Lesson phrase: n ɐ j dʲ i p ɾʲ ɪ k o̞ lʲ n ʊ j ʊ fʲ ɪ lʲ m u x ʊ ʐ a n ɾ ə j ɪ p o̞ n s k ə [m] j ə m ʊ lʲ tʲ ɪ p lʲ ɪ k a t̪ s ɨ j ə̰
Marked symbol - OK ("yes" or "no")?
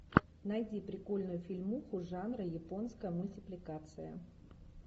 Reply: no